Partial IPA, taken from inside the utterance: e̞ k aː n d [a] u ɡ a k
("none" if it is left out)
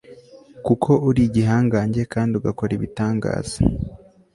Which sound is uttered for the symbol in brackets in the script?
i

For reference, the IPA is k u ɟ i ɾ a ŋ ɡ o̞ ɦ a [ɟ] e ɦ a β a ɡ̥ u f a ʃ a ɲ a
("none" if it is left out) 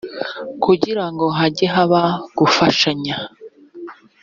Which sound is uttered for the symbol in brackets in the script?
ɟ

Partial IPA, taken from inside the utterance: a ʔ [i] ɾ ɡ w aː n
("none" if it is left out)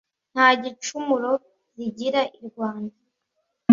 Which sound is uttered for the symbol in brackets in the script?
i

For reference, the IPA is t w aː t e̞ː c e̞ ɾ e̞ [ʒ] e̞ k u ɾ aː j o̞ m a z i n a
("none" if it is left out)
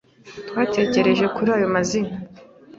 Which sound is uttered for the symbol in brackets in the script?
ʒ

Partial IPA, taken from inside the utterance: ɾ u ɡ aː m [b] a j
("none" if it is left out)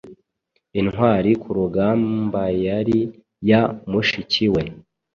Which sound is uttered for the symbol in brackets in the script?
b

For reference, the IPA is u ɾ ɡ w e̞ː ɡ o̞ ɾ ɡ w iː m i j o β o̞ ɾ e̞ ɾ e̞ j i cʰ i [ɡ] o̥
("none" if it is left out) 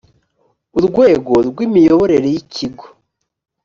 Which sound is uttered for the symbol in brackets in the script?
ɡ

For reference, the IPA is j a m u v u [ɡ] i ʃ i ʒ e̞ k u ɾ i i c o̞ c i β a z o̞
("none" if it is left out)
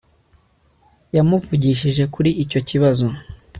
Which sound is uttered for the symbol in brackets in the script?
ɟ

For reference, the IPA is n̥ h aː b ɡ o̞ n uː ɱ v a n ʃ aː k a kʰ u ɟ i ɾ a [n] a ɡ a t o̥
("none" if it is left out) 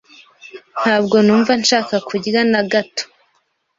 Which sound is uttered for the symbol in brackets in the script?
n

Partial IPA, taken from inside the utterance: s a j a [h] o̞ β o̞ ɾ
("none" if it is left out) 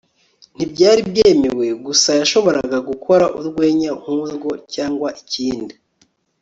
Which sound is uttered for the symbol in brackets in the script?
ʃ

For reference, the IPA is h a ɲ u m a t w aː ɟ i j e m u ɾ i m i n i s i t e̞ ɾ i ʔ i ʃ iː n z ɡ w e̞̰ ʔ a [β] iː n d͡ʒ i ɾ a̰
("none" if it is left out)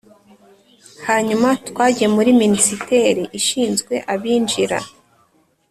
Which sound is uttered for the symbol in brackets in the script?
β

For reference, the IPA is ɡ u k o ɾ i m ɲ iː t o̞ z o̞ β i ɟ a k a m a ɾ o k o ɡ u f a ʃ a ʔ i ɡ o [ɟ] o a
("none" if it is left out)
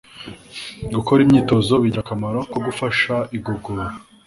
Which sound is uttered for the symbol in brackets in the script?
ɡ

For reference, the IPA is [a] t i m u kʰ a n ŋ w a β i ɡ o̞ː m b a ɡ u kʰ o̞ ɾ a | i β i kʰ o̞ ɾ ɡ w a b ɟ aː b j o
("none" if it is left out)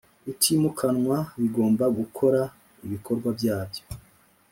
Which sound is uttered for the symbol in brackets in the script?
i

